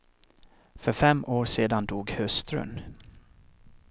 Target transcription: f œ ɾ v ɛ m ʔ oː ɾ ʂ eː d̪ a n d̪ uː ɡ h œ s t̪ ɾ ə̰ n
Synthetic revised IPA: f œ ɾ f ɛ m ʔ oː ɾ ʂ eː d̪ a n d̪ uː ɡ h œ s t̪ ɾ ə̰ n